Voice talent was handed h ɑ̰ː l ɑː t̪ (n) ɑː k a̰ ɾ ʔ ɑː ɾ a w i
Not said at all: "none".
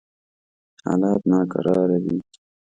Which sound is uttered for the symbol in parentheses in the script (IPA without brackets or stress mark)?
n